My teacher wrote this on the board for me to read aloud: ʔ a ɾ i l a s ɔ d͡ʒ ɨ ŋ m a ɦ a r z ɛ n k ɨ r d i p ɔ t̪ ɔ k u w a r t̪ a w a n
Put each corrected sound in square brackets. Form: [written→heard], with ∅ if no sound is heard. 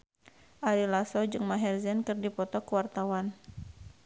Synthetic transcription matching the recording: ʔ a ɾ i l a s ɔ d͡ʒ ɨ ŋ m a ɦ [a→ɛ] r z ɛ n k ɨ r d i p ɔ t̪ ɔ k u w a r t̪ a w a n